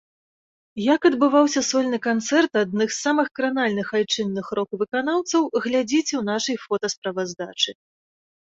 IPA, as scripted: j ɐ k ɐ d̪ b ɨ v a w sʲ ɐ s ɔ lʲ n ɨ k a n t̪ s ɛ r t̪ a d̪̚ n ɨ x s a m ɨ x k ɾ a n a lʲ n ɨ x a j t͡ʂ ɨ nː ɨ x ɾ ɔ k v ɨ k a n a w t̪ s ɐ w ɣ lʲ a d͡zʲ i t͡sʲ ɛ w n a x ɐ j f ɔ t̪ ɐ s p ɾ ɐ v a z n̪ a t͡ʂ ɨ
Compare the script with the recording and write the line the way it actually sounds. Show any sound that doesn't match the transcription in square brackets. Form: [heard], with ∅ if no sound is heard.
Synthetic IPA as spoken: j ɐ k ɐ d̪ b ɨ v a w sʲ ɐ s ɔ lʲ n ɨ k a n t̪ s ɛ r t̪ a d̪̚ n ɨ x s a m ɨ x k ɾ a n a lʲ n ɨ x a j t͡ʂ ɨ nː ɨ x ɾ ɔ k v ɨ k a n a w t̪ s ɐ w ɣ lʲ a d͡zʲ i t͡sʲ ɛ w n a [ʂ] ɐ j f ɔ t̪ ɐ s p ɾ ɐ v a z [d̪] a t͡ʂ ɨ